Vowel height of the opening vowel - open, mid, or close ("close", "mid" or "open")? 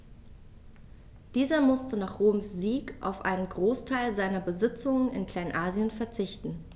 close